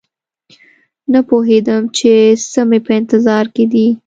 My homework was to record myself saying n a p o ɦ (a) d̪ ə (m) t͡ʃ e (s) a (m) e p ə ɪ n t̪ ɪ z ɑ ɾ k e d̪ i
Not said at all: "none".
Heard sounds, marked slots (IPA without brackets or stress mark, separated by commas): e, m, s, m